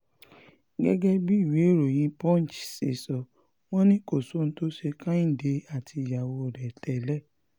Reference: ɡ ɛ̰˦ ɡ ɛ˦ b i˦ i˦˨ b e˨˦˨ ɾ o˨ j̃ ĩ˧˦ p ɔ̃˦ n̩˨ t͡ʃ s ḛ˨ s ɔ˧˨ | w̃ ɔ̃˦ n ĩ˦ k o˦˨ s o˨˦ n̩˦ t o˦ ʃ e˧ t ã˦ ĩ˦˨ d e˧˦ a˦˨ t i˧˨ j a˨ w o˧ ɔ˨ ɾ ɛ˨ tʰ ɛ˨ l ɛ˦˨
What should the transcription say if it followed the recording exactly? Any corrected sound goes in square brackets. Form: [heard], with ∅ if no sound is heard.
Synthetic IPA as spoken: ɡ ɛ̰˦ ɡ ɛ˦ b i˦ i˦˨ [w] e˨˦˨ ɾ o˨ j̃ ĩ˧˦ p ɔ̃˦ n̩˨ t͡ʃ s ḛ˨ s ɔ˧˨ | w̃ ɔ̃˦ n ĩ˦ k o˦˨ s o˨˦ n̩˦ t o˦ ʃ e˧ [k] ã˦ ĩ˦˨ d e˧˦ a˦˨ t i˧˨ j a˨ w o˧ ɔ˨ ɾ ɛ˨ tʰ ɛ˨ l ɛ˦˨